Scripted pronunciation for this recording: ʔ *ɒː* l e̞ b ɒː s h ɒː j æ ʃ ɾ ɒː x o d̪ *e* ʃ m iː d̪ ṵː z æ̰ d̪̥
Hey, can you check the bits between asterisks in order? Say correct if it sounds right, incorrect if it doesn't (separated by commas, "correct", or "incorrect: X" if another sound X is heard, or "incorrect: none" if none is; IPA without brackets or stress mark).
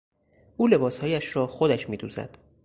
incorrect: uː, incorrect: æ